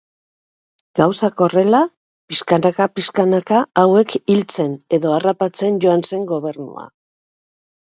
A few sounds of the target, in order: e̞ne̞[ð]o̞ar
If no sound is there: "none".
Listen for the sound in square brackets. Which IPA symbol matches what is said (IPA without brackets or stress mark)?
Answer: ð